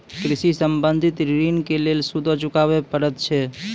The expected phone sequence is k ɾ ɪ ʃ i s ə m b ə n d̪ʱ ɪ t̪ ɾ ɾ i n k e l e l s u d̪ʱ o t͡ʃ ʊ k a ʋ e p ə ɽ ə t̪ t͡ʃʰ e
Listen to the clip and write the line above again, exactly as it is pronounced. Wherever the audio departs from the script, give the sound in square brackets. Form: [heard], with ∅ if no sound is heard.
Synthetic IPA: k ɾ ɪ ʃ i s ə m b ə n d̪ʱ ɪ t̪ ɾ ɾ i n k e l e l s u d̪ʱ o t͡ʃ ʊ k a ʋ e p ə [ɾ] ə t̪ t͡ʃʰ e

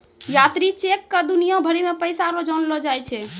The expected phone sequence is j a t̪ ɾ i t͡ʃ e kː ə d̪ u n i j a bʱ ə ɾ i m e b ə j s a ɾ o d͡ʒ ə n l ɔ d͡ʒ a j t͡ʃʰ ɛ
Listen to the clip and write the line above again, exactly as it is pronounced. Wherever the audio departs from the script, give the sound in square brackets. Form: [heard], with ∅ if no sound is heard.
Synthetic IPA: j a t̪ ɾ i t͡ʃ e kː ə d̪ u n i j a bʱ ə ɾ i m e [p] ə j s a ɾ o d͡ʒ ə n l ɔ d͡ʒ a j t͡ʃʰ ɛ

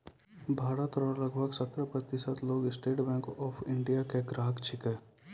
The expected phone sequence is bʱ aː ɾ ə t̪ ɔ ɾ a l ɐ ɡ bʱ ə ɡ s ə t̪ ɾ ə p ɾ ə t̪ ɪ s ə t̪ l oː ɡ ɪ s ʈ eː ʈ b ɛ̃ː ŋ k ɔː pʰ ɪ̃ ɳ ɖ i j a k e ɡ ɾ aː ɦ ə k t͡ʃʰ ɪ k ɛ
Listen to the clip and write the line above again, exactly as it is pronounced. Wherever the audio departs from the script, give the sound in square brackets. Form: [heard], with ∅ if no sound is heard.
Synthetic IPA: bʱ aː ɾ ə t̪ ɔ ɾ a l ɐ ɡ bʱ ə ɡ s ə t̪ ɾ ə p ɾ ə t̪ ɪ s ə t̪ l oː ɡ ɪ s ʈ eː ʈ b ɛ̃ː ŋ k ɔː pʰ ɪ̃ ɳ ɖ i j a k e ɡ ɾ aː ɦ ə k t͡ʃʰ ɪ k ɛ

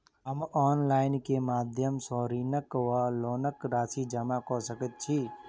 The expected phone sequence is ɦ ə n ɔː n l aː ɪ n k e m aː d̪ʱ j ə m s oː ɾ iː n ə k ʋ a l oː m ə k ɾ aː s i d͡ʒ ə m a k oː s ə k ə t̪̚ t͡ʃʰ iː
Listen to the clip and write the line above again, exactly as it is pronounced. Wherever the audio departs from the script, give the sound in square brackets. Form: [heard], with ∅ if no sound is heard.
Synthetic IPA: ɦ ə [m] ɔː n l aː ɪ n k e m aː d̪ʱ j ə m s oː ɾ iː n ə k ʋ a l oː [n] ə k ɾ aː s i d͡ʒ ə m a k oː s ə k ə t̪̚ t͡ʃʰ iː

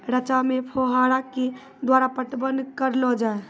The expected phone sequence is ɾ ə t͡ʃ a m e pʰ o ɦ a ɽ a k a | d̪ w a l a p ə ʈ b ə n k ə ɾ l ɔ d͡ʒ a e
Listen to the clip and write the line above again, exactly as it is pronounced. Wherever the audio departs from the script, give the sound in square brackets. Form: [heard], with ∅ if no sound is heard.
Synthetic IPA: ɾ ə t͡ʃ a m e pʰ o ɦ a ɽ a k [e] | d̪ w a [ɾ] a p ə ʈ b ə n k ə ɾ l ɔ d͡ʒ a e

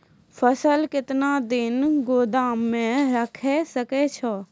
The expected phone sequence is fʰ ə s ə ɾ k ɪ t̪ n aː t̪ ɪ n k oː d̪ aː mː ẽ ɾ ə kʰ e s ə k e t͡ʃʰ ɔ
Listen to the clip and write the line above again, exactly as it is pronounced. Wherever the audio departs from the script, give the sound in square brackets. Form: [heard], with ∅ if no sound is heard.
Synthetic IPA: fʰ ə s ə [l] k ɪ t̪ n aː [d̪] ɪ n [ɡ] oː d̪ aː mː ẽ ɾ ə kʰ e s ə k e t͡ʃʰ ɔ

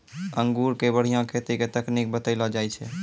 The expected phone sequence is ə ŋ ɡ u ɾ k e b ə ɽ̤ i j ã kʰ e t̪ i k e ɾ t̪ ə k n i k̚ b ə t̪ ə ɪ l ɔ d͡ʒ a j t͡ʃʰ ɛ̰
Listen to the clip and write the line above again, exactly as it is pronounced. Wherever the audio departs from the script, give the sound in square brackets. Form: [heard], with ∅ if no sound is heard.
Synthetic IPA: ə ŋ ɡ u ɾ k e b ə ɽ̤ i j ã kʰ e t̪ i k e [∅] t̪ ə k n i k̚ b ə t̪ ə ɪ l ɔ d͡ʒ a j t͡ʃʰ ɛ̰

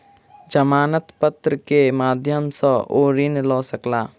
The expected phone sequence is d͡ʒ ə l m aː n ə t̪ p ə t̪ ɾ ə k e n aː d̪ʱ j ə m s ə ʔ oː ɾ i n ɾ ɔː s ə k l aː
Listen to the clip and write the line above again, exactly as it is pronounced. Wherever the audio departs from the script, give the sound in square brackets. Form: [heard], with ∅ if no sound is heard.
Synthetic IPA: d͡ʒ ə [∅] m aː n ə t̪ p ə t̪ ɾ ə k e [m] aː d̪ʱ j ə m s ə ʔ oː ɾ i n [l] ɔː s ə k l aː

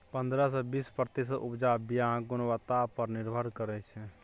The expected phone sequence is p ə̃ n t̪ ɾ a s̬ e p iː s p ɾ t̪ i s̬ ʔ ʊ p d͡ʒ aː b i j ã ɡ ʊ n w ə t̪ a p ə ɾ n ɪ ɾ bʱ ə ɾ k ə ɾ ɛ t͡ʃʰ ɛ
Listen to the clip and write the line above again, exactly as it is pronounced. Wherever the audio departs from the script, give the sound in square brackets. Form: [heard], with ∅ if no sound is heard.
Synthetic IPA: p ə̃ n [d̪] ɾ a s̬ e [b] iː s p ɾ t̪ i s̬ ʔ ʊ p d͡ʒ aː b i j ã ɡ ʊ n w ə t̪ a p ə ɾ n ɪ ɾ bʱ ə ɾ k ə ɾ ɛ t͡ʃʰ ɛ

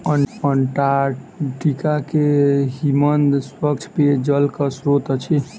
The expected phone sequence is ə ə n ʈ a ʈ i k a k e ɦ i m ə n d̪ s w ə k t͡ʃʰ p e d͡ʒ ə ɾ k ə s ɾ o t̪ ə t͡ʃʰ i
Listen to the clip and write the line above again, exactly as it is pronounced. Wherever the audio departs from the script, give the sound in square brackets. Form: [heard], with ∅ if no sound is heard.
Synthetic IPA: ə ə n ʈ a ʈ i k a k e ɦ i m ə n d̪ s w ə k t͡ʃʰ p e d͡ʒ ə [l] k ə s ɾ o t̪ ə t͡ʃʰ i

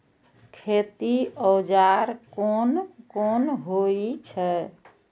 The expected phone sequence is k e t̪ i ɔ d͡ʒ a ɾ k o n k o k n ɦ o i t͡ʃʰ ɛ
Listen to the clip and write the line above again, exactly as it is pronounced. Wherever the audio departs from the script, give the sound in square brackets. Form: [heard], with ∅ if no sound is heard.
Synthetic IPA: [kʰ] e t̪ i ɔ d͡ʒ a ɾ k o n k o [∅] n ɦ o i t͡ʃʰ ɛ

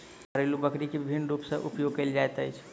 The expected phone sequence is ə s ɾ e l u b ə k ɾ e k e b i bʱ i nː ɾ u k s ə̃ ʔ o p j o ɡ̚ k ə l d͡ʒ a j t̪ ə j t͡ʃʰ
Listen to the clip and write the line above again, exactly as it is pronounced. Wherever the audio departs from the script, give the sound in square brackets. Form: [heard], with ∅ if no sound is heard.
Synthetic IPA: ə [∅] ɾ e l u b ə k ɾ [i] k e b i bʱ i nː ɾ u [p] s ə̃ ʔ [u] p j o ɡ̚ k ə l d͡ʒ a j t̪ ə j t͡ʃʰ

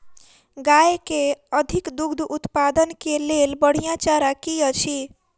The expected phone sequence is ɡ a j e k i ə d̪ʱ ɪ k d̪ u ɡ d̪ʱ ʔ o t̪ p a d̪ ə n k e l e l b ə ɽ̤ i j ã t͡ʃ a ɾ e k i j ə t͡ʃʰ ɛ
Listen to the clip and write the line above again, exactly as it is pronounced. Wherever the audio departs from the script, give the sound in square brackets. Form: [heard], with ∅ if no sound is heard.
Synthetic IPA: ɡ a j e k [e] ə d̪ʱ [i] k d̪ u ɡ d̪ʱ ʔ [u] t̪ p a d̪ ə n k e l e l b ə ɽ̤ i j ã t͡ʃ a ɾ [a] k i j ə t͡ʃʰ [i]

